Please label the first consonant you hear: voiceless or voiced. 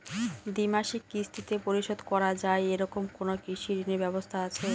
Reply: voiced